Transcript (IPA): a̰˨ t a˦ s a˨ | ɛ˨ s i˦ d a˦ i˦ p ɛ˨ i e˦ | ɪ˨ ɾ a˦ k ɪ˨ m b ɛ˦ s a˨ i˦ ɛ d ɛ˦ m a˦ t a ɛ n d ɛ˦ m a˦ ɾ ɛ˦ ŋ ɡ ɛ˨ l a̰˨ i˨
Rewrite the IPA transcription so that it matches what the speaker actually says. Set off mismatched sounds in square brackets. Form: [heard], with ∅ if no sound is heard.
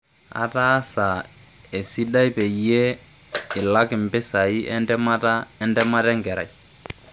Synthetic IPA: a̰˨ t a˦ s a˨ | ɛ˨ s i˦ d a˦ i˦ p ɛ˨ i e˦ | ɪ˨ [l] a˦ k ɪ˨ m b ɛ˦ s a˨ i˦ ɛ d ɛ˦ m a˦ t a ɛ n d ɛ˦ m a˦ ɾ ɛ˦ ŋ ɡ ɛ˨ [ɾ] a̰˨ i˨

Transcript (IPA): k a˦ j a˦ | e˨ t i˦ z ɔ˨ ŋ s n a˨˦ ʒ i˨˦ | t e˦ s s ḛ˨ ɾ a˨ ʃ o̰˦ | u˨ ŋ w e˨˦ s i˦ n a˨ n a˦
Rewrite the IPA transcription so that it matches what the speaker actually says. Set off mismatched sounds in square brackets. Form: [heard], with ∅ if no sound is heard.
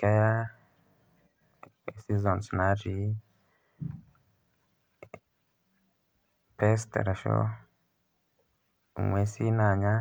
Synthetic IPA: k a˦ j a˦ | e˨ [s] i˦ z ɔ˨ [n] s n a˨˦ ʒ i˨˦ | [p] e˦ s [t] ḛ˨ ɾ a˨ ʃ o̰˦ | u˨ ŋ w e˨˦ s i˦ n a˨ [ɲ] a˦

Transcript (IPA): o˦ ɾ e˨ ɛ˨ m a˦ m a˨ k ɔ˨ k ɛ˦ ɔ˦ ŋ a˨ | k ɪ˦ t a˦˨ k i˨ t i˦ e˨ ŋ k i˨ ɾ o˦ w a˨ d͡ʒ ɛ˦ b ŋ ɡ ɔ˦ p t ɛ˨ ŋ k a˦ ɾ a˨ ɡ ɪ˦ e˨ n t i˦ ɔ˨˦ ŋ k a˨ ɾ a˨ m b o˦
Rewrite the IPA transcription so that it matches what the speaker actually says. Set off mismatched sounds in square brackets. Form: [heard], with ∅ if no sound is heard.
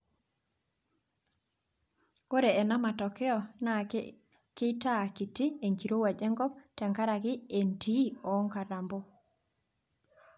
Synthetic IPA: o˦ ɾ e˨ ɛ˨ [n] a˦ m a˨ [t] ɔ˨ k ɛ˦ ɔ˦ [n] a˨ | k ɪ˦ t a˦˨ k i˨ t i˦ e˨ ŋ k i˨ ɾ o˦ w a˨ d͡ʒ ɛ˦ [∅] ŋ ɡ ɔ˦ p t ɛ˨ ŋ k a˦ ɾ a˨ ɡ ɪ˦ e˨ n t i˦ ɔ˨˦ ŋ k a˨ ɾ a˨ m b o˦

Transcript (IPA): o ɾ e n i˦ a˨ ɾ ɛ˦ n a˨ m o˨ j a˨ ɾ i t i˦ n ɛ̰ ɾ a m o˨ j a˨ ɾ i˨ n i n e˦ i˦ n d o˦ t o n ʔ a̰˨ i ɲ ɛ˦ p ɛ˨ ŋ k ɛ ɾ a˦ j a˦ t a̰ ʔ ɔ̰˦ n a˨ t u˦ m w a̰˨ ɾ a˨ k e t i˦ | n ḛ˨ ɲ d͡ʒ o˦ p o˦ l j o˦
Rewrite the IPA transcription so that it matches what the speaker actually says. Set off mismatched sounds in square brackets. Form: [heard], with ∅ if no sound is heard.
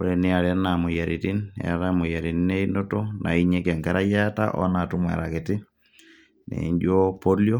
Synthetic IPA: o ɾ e n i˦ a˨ ɾ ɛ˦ n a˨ m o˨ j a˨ ɾ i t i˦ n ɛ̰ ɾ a m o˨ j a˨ ɾ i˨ n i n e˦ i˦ n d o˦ t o n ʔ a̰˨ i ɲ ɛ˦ [k] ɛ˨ ŋ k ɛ ɾ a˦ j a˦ t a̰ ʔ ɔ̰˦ n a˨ t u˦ m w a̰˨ ɾ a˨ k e t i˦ | n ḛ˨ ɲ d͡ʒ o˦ p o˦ l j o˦

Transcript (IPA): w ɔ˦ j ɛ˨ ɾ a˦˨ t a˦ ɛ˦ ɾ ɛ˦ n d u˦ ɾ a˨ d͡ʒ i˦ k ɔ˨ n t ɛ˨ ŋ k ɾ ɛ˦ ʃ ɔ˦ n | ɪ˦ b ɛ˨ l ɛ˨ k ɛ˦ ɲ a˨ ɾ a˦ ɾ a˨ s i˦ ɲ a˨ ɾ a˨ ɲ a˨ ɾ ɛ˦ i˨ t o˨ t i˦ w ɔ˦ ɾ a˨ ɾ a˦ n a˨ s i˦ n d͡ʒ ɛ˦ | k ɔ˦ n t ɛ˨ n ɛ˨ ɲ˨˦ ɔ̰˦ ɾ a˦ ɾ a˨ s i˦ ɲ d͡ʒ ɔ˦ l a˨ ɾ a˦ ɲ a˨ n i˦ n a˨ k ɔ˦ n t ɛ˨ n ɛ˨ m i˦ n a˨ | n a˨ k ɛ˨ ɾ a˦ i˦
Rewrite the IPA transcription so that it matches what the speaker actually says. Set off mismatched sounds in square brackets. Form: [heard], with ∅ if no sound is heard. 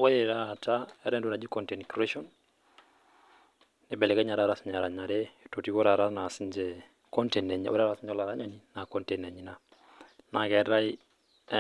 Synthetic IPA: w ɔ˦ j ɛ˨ ɾ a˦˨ t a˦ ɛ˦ ɾ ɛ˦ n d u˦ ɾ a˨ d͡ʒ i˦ k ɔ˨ n t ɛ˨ [n] k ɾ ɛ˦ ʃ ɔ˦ n | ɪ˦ b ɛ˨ l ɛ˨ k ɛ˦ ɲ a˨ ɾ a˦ ɾ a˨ s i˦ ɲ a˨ ɾ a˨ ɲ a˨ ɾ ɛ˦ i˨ t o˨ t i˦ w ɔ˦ ɾ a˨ ɾ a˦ n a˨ s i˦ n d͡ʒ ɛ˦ | k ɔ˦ n t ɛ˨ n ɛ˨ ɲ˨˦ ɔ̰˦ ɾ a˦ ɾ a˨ s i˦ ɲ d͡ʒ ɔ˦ l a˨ ɾ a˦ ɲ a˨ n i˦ n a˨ k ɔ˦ n t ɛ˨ n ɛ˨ [ɲ] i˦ n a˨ | n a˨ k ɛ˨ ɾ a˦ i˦

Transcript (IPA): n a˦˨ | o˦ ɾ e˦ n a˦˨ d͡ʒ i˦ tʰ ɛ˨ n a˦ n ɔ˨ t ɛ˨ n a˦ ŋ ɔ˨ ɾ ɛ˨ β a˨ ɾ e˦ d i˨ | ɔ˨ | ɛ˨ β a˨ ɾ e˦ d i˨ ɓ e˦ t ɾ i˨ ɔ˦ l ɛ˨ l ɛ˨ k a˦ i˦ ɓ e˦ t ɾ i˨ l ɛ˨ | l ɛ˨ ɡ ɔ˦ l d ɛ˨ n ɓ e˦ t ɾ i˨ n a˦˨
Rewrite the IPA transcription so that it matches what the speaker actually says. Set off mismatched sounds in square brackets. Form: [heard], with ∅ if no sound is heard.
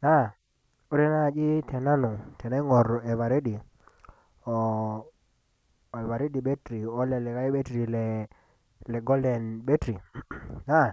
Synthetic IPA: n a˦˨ | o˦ ɾ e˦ n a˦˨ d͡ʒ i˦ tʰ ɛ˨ n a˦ n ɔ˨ t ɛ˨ n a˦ ŋ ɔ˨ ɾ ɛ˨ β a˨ ɾ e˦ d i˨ | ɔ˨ | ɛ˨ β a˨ ɾ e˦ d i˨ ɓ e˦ t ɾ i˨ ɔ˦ l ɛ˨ l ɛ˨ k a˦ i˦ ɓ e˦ t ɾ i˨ l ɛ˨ | l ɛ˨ ɡ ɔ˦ l d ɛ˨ n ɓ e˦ t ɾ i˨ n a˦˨

